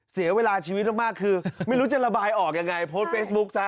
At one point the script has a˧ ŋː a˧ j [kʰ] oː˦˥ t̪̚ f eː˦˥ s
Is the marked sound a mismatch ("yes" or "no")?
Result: yes